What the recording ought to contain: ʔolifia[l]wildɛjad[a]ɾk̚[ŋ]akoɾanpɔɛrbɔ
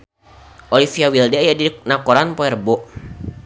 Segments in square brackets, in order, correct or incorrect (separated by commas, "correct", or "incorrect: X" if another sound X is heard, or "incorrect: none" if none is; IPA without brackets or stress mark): incorrect: none, incorrect: i, incorrect: n